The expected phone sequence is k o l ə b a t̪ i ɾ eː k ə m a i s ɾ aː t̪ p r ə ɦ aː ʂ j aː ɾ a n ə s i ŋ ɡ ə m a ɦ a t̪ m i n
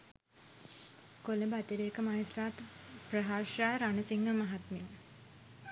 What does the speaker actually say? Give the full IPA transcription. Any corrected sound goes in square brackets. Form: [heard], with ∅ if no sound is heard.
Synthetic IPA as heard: k o l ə b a t̪ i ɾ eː k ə m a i s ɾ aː t̪ p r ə ɦ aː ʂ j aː ɾ a n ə s i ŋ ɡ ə m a ɦ a t̪ m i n

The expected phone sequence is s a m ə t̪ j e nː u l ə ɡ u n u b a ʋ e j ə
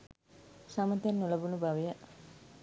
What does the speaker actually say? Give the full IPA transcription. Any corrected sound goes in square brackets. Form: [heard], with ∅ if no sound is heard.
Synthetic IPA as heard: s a m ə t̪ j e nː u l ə [b] u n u b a ʋ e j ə

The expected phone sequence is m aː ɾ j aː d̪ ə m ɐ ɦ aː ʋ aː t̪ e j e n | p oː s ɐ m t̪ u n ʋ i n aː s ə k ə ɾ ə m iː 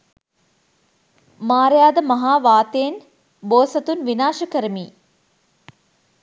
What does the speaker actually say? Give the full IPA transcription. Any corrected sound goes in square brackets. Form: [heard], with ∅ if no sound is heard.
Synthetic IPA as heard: m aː ɾ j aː d̪ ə m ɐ ɦ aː ʋ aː t̪ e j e n | [b] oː s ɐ [∅] t̪ u n ʋ i n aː [ʃ] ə k ə ɾ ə m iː

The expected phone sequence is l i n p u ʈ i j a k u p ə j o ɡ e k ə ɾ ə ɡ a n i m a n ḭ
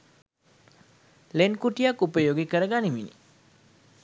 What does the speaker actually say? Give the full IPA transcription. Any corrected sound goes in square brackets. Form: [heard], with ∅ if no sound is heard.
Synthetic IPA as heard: l [e] n [k] u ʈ i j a k u p ə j o ɡ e k ə ɾ ə ɡ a n i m [i] n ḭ

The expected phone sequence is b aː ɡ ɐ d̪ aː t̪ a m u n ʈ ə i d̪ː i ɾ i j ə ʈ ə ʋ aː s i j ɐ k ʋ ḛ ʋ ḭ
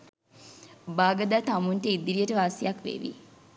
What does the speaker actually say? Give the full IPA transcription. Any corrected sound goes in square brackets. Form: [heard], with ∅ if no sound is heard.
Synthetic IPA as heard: b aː ɡ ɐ d̪ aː t̪ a m u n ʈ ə i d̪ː i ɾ i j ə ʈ ə ʋ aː s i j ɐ k ʋ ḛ ʋ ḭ

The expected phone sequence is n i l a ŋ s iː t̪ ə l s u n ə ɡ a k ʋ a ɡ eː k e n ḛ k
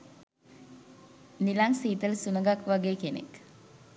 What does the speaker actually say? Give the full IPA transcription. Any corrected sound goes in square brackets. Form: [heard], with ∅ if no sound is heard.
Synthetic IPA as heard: n i l a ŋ s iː t̪ ə l s u n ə ɡ a k ʋ a ɡ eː k e n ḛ k

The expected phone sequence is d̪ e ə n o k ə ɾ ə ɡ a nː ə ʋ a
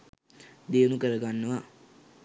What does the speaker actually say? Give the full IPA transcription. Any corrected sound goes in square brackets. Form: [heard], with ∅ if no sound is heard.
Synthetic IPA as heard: d̪ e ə n [u] k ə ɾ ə ɡ a nː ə ʋ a

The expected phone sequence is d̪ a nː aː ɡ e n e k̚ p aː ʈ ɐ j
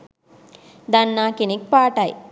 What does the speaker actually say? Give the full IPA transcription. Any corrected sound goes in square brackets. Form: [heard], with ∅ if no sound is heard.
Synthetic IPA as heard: d̪ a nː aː [k] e n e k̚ p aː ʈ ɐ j

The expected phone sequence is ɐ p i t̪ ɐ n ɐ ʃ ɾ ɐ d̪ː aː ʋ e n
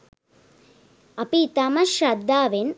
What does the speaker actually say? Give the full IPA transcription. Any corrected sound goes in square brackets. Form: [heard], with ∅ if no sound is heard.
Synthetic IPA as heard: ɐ p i t̪ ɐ [m] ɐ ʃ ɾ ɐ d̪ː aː ʋ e n

